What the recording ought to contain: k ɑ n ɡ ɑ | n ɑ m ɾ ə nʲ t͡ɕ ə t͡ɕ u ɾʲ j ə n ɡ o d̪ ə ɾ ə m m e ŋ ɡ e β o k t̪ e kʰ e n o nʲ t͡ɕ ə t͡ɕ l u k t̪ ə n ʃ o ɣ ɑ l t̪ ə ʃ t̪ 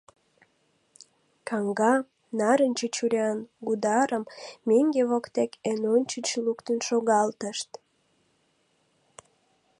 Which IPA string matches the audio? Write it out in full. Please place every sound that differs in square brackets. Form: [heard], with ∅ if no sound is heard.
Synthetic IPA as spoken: k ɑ [ŋ] ɡ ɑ | n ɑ [∅] ɾ ə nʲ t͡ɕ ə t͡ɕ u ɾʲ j [ɑ] n ɡ [u] d̪ [ɑ] ɾ ə m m e ŋ ɡ e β o k t̪ e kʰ e n o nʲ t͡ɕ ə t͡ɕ l u k t̪ ə n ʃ o ɣ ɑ l t̪ ə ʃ t̪